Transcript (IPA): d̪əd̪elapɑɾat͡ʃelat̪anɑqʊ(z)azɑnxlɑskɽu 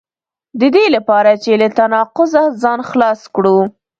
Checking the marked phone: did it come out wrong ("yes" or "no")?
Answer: no